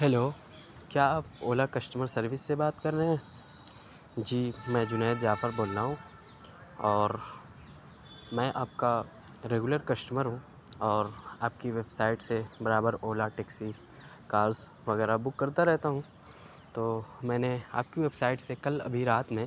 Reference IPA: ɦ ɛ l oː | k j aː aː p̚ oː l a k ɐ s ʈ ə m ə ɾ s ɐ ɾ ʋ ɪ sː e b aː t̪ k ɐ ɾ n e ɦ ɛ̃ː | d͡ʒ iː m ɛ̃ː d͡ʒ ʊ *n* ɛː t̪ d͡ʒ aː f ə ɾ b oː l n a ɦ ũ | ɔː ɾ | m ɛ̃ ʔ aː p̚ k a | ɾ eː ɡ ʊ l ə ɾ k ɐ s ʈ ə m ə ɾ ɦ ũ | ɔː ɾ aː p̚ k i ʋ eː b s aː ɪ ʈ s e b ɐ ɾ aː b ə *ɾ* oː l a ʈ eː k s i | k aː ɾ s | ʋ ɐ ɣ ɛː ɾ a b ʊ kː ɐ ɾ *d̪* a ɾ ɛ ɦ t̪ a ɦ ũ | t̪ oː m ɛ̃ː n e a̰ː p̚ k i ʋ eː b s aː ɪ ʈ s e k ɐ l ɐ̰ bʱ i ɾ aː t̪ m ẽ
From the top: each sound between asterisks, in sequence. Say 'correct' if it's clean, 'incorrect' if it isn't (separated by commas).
correct, correct, incorrect